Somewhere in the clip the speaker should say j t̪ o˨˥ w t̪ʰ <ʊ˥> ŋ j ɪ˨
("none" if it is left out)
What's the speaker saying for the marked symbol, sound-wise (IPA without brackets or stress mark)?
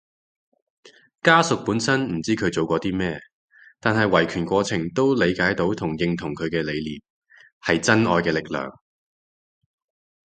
ʊ˨˩